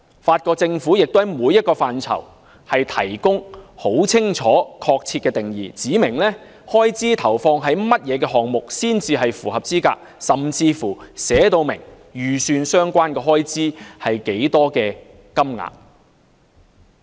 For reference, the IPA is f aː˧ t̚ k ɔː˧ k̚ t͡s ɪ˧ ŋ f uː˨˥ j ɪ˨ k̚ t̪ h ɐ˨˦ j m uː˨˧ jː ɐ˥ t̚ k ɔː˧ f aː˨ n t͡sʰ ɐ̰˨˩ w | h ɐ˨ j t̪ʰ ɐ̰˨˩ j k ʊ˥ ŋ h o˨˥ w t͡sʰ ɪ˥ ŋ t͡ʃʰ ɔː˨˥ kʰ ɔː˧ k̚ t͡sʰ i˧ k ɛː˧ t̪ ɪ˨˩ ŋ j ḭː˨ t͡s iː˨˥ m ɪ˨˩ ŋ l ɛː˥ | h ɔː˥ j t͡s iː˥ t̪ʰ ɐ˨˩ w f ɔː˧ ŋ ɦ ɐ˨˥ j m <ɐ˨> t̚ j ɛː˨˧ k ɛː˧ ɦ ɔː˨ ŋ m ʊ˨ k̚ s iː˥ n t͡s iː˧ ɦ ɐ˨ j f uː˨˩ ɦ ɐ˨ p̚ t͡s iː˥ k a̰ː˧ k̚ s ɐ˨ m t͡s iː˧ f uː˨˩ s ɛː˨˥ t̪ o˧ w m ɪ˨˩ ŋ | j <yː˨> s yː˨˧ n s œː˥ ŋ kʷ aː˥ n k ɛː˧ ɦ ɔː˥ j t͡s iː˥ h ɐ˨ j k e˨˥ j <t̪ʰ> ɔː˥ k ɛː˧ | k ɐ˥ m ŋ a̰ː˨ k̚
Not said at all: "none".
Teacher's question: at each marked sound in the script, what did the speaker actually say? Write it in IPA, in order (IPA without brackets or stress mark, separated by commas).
ɐ˥, yː˨, t̪